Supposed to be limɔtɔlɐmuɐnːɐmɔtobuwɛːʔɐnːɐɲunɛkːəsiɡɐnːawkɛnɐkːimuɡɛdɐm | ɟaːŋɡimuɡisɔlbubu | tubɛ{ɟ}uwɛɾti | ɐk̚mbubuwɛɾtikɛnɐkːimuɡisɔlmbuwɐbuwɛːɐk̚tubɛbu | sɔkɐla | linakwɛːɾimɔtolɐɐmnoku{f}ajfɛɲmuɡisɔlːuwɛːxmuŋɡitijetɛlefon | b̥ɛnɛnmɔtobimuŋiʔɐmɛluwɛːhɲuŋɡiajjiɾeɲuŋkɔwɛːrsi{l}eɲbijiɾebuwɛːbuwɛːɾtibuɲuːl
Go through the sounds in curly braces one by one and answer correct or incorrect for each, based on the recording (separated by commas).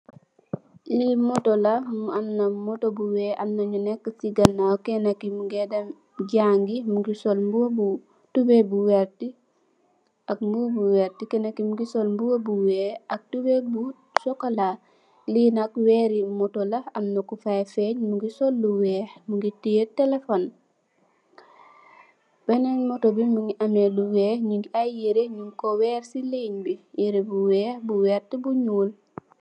incorrect, correct, correct